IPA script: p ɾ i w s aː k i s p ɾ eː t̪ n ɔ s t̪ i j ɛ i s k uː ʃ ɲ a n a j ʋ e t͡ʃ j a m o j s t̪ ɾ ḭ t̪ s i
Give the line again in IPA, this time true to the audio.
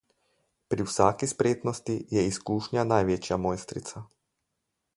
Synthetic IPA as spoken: p ɾ i w s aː k i s p ɾ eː t̪ n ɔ s t̪ i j ɛ i s k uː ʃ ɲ a n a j ʋ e t͡ʃ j a m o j s t̪ ɾ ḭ t̪ s a